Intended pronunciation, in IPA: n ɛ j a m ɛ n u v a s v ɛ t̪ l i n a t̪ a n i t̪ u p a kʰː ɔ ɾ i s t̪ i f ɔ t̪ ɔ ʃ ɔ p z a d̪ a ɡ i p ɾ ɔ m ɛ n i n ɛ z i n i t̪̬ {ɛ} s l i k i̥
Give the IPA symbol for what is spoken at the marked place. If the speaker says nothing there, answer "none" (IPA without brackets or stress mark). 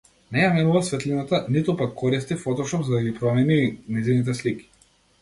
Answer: ɛ